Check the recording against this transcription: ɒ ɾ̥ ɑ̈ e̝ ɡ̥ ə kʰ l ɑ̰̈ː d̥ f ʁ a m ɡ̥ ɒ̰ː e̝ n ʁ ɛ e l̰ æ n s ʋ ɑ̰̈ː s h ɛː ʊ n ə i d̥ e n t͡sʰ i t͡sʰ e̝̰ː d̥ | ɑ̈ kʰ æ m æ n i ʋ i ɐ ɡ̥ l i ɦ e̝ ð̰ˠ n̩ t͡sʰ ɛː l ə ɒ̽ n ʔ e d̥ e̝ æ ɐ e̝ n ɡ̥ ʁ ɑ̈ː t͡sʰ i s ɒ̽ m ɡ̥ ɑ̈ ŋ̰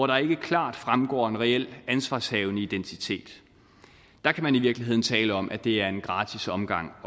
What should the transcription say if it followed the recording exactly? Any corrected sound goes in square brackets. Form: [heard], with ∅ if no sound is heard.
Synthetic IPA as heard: ɒ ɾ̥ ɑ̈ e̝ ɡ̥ ə kʰ l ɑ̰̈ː d̥ f ʁ a m ɡ̥ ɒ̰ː e̝ n ʁ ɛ e l̰ æ n s ʋ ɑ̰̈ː s h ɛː ʊ n ə i d̥ e n t͡sʰ i t͡sʰ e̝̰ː d̥ | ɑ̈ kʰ æ m æ n i ʋ i ɐ ɡ̥ l i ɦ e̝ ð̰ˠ n̩ t͡sʰ ɛː l ə ɒ̽ [m] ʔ [æ] d̥ e̝ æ ɐ e̝ n ɡ̥ ʁ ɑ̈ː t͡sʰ i s ɒ̽ m ɡ̥ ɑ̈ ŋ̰